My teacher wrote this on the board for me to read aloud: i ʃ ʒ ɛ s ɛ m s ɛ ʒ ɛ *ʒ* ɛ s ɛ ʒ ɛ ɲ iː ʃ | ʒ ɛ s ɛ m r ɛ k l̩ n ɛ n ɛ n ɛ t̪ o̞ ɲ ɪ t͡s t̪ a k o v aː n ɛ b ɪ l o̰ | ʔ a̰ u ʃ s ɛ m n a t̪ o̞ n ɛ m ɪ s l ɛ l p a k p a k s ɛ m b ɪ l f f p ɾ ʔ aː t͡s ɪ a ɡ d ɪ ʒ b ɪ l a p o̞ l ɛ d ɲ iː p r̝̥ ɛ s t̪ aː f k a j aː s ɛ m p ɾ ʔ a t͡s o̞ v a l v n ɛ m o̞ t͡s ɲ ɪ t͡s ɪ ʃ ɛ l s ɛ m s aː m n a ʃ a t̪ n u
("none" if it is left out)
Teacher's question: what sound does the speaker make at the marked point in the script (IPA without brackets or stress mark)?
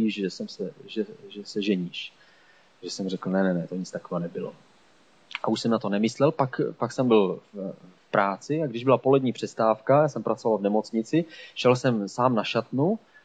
ʒ